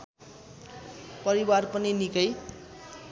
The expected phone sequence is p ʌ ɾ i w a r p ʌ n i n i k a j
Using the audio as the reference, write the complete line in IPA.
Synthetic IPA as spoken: p ʌ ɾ i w a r p ʌ n i n i k ʌ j

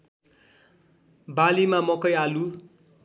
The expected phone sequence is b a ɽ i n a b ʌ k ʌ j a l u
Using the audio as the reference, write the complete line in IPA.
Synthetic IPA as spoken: b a l i m a m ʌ k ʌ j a l u

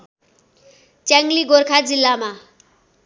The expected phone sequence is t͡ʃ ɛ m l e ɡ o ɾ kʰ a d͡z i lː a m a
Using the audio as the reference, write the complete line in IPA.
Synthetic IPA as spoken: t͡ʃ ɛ ŋ l i ɡ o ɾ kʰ a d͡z i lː a m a

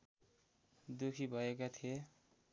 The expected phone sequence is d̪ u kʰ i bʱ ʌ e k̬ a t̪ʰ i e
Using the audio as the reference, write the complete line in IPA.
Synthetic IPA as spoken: d̪ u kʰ i bʱ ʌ e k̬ a t̪ʰ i e

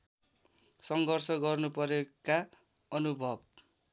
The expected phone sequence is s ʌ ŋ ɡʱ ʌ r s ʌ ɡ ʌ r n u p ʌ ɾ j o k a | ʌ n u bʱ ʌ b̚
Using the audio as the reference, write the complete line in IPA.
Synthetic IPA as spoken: s ʌ ŋ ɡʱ ʌ r s ʌ ɡ ʌ r n u p ʌ ɾ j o k a | ʌ n u bʱ ʌ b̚

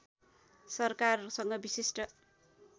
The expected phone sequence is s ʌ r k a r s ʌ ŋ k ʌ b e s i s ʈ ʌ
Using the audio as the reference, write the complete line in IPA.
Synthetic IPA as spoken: s ʌ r k a r s ʌ ŋ ɡ ʌ b i s i s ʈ ʌ

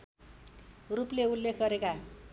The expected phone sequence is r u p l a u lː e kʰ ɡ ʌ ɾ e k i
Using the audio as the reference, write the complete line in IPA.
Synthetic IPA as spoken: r u p l e u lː e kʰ ɡ ʌ ɾ e k a

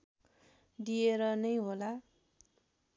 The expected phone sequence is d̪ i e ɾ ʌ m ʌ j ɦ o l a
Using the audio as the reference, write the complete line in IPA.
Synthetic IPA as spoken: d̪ i e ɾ ʌ n ʌ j ɦ o l a

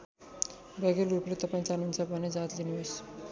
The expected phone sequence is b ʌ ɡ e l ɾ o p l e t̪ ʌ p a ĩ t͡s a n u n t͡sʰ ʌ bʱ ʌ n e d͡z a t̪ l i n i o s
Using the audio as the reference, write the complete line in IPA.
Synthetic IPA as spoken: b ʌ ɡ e l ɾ u p l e t̪ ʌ p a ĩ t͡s a n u n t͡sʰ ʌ bʱ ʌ n e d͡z a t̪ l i n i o s

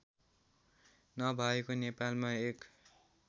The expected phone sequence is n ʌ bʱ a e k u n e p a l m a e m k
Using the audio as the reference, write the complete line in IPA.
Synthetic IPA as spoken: n ʌ bʱ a e k o n e p a l m a e k

